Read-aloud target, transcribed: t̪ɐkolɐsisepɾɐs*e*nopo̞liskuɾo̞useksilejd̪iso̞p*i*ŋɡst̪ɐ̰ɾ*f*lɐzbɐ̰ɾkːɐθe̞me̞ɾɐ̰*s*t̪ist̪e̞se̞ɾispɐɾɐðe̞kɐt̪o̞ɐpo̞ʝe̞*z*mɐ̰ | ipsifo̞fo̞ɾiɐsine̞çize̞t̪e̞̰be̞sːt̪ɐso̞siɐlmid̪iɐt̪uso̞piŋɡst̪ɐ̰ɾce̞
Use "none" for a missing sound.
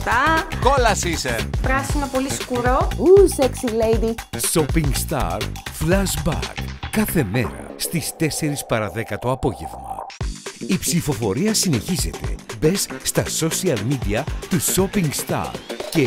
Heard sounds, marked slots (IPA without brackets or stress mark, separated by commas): i, i, f, s, v